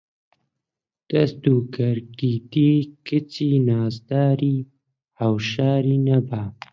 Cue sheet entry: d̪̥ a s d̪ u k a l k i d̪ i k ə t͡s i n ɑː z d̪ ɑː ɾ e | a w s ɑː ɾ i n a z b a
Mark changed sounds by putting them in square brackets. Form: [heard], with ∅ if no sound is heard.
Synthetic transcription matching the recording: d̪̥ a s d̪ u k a [ɾ] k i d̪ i k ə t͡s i n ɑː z d̪ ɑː ɾ [i] | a w [ʃ] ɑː ɾ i n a [∅] b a